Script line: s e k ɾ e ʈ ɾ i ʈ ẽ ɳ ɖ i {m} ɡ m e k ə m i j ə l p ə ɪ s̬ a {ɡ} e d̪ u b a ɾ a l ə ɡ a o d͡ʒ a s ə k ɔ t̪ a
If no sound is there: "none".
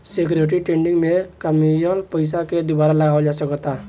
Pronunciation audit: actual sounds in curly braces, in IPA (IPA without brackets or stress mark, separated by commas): ŋ, k